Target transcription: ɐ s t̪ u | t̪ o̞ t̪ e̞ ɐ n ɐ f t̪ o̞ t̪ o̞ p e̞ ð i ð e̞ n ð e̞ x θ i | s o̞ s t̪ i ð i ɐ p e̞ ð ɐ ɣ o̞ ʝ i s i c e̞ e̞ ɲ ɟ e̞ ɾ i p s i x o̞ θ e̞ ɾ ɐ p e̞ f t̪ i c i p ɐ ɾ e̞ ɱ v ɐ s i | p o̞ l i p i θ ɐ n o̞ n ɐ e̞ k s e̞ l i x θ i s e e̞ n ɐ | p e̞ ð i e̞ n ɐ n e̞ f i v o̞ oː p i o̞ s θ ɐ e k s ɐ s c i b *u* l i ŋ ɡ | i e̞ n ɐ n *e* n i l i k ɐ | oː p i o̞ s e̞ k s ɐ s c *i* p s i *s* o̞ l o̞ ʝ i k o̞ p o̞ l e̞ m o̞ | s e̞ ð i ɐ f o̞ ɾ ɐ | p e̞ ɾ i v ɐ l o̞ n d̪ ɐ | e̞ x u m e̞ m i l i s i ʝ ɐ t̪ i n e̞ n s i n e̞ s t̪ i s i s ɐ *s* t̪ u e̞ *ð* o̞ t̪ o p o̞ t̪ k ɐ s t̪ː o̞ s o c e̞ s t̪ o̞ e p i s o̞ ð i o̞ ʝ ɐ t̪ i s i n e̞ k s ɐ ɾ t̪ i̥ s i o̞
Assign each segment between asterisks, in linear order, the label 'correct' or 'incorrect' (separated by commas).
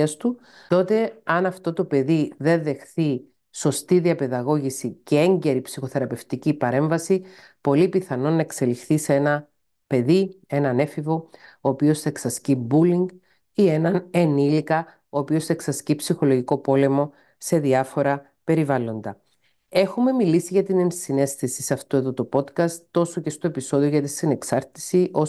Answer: correct, correct, correct, incorrect, incorrect, correct